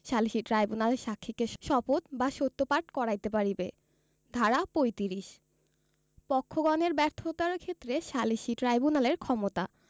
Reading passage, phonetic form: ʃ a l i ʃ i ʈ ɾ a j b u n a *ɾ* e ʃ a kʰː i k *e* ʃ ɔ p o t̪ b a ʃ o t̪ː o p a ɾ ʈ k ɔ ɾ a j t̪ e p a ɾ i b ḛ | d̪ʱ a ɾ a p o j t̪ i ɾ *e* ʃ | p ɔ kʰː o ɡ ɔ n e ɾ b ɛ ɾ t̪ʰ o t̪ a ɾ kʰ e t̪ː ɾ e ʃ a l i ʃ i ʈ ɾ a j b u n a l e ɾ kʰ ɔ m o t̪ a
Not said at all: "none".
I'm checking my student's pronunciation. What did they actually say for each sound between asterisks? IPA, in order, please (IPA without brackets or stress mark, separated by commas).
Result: l, e, i